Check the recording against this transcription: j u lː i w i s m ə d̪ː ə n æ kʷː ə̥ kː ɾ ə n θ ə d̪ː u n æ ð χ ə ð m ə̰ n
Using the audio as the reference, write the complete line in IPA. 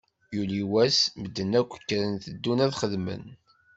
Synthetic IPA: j u l i w æ s m ə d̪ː ə n æ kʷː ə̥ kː ɾ ə n θ ə d̪ː u n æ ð χ ə ð m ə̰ n